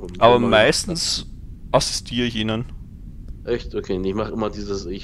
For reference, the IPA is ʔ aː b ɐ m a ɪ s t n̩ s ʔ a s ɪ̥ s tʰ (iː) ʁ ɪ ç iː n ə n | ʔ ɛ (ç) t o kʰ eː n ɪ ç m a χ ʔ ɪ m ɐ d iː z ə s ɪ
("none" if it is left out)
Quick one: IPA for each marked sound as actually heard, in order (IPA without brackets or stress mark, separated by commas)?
iː, ç